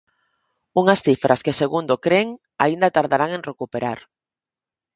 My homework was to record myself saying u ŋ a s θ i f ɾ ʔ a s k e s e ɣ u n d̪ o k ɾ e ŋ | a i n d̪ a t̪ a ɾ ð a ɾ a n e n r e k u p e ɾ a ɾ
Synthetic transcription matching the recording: u ŋ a s θ i f ɾ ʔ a s k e s e ɣ u n d̪ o k ɾ e ŋ | a i n d̪ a t̪ a ɾ ð a ɾ a ŋ e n r e k u p e ɾ a ɾ